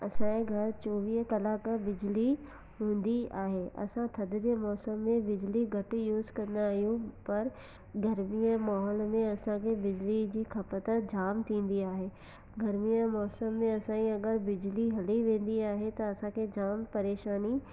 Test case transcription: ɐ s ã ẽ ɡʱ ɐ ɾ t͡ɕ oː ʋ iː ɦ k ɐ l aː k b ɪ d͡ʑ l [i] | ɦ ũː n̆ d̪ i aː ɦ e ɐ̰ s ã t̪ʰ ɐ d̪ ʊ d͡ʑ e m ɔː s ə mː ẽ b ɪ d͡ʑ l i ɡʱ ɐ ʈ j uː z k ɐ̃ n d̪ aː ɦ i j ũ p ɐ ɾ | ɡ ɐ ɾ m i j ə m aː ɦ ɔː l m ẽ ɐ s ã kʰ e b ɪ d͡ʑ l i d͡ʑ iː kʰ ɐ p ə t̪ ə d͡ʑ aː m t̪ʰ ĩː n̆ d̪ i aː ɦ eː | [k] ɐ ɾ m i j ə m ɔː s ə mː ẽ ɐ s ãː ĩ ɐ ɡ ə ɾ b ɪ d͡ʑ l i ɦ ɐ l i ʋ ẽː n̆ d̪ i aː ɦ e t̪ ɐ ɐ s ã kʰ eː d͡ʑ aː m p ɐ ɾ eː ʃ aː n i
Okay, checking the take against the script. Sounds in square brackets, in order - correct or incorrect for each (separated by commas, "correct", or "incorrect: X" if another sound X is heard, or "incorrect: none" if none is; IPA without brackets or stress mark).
correct, incorrect: ɡ